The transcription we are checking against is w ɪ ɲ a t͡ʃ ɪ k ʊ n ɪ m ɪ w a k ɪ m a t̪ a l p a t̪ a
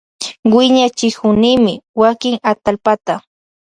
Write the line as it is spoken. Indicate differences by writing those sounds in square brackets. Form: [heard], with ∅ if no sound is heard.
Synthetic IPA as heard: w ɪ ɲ a t͡ʃ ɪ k ʊ n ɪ m ɪ w a k ɪ [ŋ] a t̪ a l p a t̪ a